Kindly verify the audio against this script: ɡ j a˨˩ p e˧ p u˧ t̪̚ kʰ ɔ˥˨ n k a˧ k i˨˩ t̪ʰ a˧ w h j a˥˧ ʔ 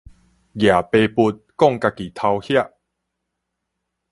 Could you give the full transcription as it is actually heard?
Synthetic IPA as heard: ɡ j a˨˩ p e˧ p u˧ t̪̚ k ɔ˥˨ ŋ k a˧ k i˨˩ t̪ʰ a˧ w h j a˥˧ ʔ